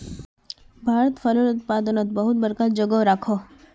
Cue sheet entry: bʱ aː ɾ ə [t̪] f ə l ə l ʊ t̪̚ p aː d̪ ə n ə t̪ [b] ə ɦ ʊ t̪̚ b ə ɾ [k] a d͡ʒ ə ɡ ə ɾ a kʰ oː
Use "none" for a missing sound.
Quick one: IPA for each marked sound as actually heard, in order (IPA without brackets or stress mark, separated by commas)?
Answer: t̪, b, k